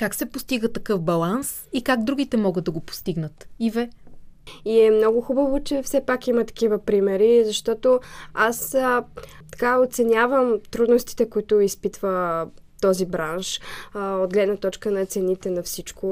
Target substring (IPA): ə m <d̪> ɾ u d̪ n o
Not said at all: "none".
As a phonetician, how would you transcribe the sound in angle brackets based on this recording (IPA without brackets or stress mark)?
t̪